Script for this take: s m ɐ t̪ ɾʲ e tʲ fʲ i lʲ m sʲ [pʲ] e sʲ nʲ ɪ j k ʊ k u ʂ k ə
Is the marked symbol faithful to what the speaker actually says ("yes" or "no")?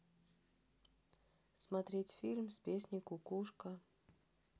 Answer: yes